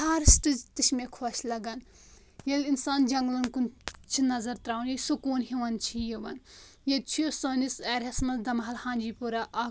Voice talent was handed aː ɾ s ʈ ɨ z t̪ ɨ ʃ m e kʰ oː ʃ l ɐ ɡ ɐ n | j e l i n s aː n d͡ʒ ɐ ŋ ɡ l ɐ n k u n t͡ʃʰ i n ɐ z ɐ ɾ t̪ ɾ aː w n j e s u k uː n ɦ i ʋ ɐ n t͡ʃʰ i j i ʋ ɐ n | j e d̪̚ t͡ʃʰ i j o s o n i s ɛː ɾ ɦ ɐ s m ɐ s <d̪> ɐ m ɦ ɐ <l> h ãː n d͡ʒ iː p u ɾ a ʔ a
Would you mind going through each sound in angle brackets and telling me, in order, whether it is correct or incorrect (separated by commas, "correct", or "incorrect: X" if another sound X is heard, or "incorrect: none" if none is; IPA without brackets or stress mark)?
correct, correct